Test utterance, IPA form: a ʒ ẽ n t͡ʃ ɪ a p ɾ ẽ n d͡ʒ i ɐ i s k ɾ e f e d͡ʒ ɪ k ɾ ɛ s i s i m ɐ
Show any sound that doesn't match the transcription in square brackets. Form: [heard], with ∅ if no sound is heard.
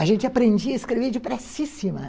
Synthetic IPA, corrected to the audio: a ʒ ẽ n t͡ʃ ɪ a p ɾ ẽ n d͡ʒ i ɐ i s k ɾ e [v] e d͡ʒ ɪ [p] ɾ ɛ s i s i m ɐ